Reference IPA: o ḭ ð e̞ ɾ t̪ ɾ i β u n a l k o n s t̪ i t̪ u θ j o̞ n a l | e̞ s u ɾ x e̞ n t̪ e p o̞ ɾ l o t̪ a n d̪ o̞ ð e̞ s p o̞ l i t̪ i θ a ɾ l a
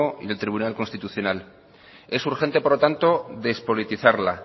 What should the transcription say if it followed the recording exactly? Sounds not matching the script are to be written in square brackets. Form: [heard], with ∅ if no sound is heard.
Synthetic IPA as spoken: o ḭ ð e̞ [l] t̪ ɾ i β u n a l k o n s t̪ i t̪ u θ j o̞ n a l | e̞ s u ɾ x e̞ n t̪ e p o̞ ɾ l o t̪ a n [t̪] o̞ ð e̞ s p o̞ l i t̪ i θ a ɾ l a